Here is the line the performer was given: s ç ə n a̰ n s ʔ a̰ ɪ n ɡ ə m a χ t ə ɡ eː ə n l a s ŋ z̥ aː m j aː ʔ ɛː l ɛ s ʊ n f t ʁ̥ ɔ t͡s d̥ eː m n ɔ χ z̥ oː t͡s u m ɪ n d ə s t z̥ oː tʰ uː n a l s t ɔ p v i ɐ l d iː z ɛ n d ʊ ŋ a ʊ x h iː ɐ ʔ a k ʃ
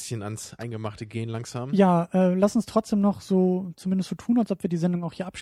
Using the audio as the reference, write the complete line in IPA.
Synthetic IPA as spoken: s ç ə n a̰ n s ʔ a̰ ɪ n ɡ ə m a χ t ə ɡ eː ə n l a ŋ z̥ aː m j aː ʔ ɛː l a s ʊ n s t ʁ̥ ɔ t͡s d̥ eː m n ɔ χ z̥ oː t͡s u m ɪ n d ə s t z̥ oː tʰ uː n a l s ʔ ɔ p v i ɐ d iː z ɛ n d ʊ ŋ a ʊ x h iː ɐ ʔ a p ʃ